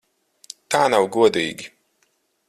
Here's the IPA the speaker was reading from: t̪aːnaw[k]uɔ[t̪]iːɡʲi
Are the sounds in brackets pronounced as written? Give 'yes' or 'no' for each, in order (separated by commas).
no, no